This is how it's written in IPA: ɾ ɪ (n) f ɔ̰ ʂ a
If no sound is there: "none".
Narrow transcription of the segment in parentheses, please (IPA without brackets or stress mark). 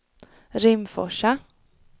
m